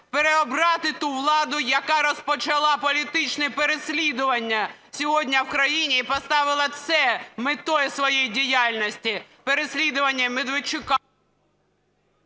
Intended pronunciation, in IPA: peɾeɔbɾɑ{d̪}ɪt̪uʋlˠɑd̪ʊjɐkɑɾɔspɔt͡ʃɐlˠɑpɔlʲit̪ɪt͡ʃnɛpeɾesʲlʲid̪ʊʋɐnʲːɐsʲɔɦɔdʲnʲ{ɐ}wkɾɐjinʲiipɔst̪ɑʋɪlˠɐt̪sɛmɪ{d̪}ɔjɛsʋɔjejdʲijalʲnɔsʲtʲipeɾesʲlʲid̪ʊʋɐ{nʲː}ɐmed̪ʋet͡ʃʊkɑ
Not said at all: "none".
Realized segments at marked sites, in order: t̪, ɐ, t̪, nʲː

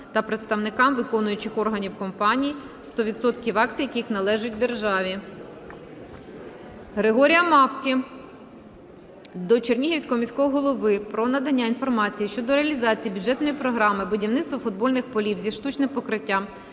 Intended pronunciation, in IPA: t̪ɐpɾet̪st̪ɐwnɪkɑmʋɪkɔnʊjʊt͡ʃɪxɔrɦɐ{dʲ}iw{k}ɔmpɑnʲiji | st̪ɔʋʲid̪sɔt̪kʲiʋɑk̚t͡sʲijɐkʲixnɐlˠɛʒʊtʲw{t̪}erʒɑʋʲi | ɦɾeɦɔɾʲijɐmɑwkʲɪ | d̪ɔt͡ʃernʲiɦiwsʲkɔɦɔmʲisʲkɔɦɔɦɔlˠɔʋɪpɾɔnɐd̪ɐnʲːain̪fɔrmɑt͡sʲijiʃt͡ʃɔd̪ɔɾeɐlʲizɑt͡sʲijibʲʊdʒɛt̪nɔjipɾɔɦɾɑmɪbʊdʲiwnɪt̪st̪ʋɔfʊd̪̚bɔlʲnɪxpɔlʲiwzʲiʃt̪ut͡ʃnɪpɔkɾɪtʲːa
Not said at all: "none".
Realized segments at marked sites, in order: nʲ, k, d̪

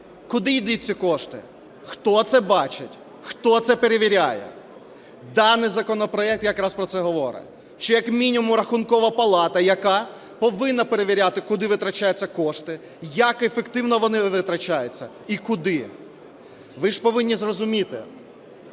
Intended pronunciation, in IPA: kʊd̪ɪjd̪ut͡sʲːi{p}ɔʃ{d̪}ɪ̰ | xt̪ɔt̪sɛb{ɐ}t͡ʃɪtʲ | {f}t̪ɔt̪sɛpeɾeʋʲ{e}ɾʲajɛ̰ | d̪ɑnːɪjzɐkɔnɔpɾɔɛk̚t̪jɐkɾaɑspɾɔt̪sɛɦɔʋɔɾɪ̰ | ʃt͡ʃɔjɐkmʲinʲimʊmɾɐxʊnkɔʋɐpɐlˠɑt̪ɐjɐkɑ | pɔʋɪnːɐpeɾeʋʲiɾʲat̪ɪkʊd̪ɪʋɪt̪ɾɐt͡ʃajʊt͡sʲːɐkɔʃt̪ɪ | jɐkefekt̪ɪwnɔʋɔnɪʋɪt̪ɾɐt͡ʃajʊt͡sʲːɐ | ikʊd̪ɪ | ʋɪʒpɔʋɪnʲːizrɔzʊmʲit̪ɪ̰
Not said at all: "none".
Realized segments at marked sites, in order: k, t̪, ɑ, x, i

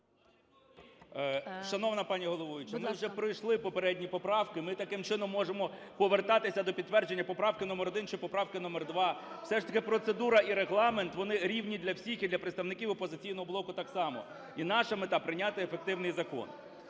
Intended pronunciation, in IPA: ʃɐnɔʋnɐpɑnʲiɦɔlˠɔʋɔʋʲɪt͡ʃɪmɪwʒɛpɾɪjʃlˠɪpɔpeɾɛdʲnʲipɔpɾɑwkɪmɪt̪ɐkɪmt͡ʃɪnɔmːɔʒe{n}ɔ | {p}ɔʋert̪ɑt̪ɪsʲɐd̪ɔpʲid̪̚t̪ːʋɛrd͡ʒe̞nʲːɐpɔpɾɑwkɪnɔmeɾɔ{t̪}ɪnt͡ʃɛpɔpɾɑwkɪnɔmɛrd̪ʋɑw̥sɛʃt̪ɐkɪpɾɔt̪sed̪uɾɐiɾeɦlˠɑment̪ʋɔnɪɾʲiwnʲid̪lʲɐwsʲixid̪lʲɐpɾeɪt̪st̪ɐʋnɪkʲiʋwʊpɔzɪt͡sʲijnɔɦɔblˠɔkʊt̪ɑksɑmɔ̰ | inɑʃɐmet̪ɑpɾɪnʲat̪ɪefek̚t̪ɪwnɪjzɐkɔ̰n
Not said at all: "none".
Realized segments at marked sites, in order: m, p, d̪

